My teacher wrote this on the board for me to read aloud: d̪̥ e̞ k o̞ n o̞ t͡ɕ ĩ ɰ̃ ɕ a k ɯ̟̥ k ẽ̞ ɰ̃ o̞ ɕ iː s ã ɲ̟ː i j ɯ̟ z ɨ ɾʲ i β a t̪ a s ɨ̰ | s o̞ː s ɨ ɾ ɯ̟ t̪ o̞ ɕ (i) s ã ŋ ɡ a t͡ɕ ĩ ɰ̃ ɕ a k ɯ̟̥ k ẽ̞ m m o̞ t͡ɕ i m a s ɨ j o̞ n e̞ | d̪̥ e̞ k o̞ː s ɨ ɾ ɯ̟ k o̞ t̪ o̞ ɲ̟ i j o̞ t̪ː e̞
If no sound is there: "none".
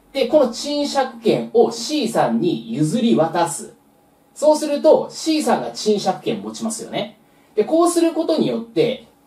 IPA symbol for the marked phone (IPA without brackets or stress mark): iː